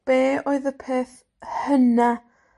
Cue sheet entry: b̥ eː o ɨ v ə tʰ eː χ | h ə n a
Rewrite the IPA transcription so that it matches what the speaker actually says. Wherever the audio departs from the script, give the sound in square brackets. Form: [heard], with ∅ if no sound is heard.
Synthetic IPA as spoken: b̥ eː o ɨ [ð] ə [pʰ] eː [θ] | h ə n a